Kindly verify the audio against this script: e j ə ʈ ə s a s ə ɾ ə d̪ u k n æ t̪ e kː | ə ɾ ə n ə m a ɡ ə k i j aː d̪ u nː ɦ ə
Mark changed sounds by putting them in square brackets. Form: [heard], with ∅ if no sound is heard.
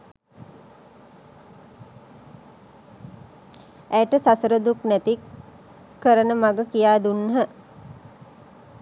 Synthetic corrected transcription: [æ] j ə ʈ ə s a s ə ɾ ə d̪ u k n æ t̪ [i] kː | ə ɾ ə n ə m a ɡ ə k i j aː d̪ u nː ɦ ə